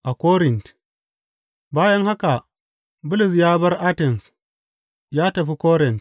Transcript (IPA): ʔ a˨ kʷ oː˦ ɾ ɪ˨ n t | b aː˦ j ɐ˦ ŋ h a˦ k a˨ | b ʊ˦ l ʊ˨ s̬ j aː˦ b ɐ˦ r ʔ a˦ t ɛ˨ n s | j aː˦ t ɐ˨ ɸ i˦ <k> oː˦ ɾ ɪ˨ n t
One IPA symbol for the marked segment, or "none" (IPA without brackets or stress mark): k